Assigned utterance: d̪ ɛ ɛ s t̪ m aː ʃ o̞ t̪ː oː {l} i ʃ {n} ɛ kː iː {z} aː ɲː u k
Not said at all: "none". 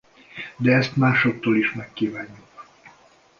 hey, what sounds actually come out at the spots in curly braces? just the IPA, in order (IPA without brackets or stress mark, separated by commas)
l, m, v